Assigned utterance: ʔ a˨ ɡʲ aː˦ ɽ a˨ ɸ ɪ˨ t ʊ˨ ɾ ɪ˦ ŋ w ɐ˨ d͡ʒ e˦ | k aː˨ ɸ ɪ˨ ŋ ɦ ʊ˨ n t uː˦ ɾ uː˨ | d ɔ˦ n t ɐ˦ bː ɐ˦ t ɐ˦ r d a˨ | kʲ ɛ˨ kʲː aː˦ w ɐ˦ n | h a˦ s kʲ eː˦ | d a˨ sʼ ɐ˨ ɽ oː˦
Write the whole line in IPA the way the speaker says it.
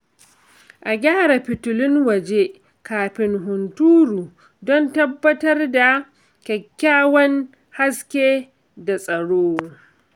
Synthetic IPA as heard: ʔ a˨ ɡʲ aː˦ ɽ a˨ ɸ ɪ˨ t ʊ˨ l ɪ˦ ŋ w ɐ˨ d͡ʒ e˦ | k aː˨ ɸ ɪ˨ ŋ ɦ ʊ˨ n t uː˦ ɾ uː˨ | d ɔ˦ n t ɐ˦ bː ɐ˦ t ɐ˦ r d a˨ | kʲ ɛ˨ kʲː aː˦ w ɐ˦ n | h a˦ s kʲ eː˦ | d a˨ sʼ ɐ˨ ɽ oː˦